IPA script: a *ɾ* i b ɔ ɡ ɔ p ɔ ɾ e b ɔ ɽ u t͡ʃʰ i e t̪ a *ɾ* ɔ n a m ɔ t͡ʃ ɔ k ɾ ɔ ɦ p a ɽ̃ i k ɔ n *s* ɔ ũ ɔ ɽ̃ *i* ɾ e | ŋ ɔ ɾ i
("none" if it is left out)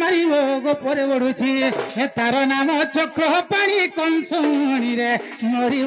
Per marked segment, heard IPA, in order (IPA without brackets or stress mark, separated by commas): ɾ, ɾ, s, i